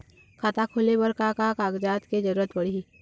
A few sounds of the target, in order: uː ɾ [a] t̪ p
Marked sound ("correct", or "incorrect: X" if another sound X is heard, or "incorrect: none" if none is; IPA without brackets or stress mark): incorrect: ə